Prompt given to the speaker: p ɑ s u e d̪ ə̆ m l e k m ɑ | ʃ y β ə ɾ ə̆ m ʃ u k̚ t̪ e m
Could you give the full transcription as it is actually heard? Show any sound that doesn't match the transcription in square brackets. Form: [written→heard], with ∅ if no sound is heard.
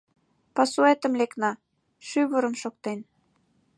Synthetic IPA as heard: p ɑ s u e [d̪→t̪] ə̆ m l e k [m→n] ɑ | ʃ y β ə ɾ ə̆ m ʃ [u→o] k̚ t̪ e [m→n]